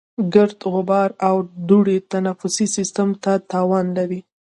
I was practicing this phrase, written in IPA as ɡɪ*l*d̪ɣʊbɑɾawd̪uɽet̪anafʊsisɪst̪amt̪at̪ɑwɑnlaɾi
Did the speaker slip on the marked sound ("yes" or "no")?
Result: yes